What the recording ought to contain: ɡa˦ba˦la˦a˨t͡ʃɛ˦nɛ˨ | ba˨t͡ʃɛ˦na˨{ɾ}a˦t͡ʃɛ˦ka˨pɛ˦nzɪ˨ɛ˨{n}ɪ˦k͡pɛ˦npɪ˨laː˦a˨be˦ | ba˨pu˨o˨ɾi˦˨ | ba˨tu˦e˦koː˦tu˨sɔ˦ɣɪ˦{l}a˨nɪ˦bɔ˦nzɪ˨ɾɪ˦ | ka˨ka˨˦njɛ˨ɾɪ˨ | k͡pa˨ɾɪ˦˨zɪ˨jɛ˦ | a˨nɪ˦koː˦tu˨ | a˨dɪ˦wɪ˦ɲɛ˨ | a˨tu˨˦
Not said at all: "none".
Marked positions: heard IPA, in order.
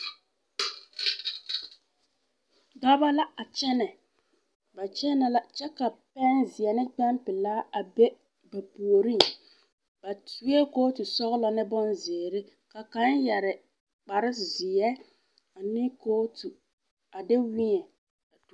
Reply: l, n, l

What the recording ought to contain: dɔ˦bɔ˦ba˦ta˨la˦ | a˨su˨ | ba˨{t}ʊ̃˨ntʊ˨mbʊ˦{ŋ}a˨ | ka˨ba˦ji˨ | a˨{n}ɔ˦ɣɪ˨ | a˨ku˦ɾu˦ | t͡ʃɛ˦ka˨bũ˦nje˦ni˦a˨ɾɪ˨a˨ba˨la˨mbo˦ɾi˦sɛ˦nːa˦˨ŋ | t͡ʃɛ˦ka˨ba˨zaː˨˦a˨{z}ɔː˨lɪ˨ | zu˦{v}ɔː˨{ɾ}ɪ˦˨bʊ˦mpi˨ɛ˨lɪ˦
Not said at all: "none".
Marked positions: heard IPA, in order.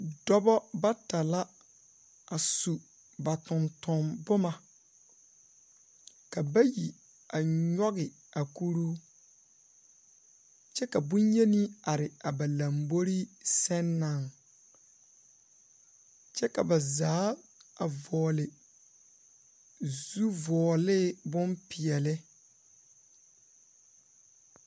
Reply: t, m, ɲ, v, v, l

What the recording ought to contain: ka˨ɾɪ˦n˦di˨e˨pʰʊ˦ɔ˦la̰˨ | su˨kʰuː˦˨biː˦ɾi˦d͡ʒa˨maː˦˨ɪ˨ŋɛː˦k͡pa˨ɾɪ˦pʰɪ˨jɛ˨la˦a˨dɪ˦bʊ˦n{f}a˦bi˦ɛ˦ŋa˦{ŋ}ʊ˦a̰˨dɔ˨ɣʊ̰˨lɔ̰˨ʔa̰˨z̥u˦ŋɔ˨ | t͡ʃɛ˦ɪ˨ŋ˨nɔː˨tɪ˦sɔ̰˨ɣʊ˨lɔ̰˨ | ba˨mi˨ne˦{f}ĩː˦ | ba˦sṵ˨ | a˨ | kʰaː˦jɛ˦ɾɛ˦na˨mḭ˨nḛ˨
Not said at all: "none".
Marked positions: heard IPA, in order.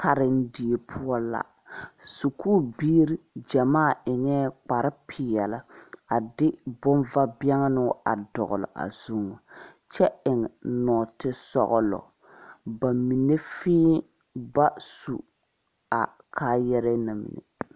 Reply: v, n, f

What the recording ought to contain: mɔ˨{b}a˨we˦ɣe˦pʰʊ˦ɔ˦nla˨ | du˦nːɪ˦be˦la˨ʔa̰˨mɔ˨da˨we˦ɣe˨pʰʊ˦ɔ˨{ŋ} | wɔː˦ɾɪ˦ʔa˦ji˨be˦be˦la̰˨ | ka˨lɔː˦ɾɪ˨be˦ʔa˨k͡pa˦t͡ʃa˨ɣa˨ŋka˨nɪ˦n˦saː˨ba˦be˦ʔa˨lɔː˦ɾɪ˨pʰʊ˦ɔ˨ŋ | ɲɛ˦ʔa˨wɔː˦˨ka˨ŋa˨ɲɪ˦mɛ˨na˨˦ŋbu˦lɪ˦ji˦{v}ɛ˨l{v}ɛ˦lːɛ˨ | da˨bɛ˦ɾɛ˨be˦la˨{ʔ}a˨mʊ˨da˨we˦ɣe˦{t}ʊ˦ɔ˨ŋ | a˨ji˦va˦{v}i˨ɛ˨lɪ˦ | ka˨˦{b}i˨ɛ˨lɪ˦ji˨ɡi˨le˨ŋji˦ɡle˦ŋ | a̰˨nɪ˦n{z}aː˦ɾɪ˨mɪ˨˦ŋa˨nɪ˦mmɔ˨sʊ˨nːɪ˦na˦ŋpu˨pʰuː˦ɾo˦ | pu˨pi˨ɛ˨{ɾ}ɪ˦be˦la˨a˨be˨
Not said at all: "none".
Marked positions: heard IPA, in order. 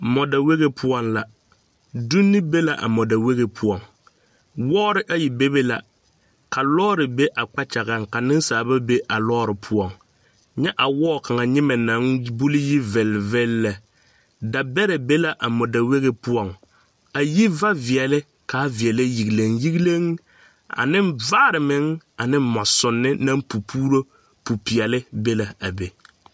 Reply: d, ŋ, v, v, ʔ, p, v, v, v, l

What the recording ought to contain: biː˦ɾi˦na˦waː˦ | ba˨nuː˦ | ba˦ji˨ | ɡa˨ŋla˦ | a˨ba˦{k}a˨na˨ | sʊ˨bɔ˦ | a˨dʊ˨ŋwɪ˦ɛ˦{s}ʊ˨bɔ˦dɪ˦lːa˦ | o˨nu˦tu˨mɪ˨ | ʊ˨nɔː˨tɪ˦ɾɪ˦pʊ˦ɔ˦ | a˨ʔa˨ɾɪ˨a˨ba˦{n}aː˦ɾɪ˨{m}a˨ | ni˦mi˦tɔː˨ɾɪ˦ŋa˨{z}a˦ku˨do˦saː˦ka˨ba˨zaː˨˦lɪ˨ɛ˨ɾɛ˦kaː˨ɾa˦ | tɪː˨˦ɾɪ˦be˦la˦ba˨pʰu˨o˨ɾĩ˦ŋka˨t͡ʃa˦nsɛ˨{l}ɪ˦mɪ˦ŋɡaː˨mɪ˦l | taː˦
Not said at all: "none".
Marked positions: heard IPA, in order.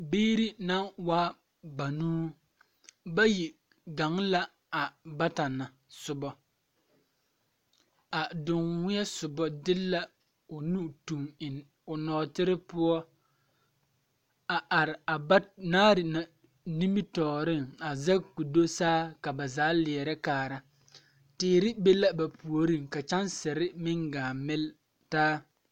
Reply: t, s, n, n, z, ɾ

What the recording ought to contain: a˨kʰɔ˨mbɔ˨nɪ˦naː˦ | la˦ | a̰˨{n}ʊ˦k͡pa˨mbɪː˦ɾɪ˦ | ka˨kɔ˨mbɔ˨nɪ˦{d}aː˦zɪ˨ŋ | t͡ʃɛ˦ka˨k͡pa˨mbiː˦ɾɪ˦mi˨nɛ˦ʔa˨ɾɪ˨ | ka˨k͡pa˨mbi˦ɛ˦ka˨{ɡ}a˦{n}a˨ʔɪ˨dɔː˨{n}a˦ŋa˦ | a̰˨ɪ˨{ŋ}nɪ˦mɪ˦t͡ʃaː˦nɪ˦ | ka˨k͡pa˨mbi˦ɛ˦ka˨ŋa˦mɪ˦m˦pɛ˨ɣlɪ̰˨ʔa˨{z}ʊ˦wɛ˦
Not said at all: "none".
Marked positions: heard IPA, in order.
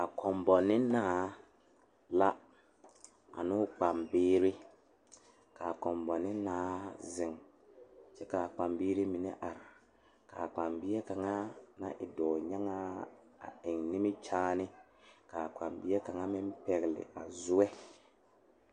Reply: n, n, ŋ, n, ɲ, ŋ, z

